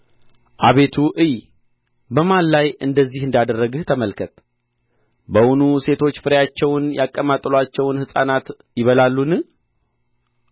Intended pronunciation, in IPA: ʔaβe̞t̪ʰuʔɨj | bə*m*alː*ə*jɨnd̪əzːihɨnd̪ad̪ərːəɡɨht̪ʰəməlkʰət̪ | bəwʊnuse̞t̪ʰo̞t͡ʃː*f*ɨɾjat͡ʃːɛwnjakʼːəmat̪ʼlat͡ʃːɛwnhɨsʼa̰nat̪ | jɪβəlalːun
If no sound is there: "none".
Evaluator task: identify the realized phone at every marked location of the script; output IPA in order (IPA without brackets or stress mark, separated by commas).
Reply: m, a, f